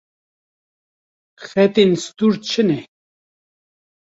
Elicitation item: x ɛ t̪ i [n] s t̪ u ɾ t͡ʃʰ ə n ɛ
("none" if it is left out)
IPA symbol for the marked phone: n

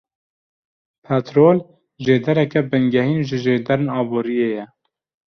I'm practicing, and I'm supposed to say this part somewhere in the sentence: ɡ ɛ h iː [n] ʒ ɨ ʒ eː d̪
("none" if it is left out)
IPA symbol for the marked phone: n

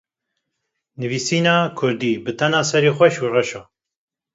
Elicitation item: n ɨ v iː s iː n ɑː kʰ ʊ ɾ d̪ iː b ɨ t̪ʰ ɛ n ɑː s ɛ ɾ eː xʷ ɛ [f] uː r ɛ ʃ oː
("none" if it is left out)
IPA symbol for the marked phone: ʃ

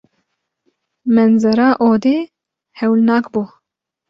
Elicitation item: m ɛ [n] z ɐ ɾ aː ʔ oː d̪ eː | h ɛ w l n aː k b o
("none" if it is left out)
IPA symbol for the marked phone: n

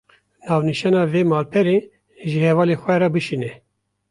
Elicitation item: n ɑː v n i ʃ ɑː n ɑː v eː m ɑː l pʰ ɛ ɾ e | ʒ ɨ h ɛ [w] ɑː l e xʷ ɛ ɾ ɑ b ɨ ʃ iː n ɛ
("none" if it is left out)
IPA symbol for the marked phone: v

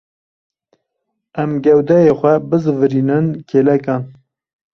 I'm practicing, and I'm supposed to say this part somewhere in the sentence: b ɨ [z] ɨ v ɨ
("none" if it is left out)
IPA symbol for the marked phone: z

